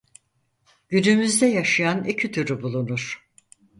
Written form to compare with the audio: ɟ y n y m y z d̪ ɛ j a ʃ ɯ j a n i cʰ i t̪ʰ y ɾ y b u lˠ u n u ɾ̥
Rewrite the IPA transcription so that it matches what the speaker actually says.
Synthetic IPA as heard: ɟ y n y m y z d̪ ɛ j a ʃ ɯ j a n i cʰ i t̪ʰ y ɾ y b u lˠ u n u ɾ̥